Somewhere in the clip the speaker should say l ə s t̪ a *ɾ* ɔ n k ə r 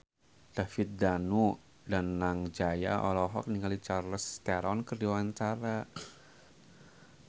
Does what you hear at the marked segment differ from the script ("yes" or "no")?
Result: no